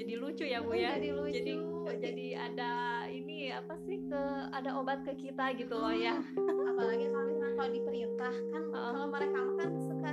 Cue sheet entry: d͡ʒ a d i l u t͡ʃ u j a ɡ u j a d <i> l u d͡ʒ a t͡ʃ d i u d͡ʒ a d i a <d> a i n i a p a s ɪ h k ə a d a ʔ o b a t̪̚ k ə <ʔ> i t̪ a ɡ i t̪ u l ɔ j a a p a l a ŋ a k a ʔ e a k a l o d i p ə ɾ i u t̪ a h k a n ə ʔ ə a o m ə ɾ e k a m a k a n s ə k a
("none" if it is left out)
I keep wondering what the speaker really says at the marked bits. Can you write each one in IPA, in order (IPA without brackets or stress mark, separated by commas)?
i, d, k